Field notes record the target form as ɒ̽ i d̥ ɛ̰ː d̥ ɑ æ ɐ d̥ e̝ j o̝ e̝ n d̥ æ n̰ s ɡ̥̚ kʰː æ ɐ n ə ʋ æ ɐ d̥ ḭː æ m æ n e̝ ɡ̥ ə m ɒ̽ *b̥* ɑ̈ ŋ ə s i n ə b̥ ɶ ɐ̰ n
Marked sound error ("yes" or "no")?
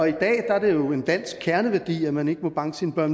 no